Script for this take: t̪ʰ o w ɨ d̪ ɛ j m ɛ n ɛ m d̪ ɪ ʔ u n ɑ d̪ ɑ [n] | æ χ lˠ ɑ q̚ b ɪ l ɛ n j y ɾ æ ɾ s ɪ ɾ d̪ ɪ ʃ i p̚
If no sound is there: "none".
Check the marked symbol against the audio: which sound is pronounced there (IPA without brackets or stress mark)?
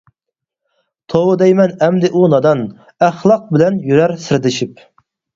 n